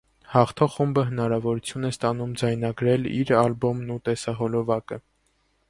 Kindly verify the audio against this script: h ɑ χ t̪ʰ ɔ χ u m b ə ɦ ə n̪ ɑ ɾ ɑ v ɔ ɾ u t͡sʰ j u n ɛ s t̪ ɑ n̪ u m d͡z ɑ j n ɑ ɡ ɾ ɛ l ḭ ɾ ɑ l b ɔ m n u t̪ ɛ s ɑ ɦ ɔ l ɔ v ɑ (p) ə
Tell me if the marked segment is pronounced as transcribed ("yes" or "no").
no